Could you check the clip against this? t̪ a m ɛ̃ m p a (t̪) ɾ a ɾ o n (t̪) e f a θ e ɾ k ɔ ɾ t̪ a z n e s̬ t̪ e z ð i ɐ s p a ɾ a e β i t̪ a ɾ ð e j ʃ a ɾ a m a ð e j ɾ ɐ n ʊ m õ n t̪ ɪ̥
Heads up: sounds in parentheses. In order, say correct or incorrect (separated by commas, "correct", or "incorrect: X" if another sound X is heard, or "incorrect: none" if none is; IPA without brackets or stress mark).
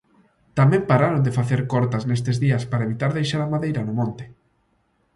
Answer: incorrect: none, incorrect: d̪